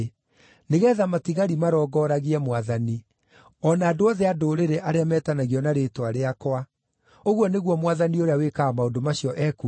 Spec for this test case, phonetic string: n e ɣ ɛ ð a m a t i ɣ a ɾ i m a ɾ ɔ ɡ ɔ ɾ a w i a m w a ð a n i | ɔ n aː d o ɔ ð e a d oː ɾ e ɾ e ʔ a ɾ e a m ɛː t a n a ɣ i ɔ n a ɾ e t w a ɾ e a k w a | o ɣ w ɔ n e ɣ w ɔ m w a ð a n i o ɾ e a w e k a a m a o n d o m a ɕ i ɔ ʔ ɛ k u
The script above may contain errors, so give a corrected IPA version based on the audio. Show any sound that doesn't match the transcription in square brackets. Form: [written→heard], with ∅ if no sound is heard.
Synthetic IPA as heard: n e ɣ ɛ ð a m a t i ɣ a ɾ i m a ɾ ɔ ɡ ɔ ɾ a [w→ɣ] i [a→ɛ] m w a ð a n i | ɔ n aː d o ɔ ð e a d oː ɾ e ɾ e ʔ a ɾ e a m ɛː t a n a ɣ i ɔ n a ɾ e t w a ɾ e a k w a | o ɣ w ɔ n e ɣ w ɔ m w a ð a n i o ɾ e a w e k a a m a o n d o m a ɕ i ɔ ʔ ɛ k u